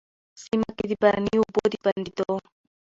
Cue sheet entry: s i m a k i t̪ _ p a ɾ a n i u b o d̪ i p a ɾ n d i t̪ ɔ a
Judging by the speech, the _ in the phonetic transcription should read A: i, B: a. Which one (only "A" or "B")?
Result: A